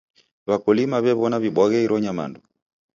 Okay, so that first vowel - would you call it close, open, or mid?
open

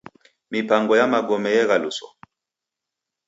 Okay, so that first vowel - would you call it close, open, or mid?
close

